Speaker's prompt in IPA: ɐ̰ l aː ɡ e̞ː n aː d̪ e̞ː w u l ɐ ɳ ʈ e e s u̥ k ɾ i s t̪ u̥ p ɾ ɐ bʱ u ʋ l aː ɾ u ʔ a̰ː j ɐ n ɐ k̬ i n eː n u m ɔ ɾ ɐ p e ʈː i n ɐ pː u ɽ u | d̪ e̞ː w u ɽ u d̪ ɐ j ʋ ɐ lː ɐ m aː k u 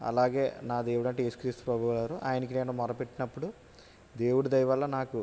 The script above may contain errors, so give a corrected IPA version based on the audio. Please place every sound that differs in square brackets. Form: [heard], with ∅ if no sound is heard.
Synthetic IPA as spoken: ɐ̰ l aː ɡ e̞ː n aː d̪ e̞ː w u [ɽ] ɐ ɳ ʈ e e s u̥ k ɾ i s t̪ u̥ p ɾ ɐ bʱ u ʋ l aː ɾ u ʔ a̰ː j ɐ n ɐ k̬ i n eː n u m ɔ ɾ ɐ p e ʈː i n ɐ pː u ɽ u | d̪ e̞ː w u ɽ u d̪ ɐ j ʋ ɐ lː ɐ [n] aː k u